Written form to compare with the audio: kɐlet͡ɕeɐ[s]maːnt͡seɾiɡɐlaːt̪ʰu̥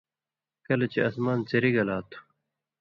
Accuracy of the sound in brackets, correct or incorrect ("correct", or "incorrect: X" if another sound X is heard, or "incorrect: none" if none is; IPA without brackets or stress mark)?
correct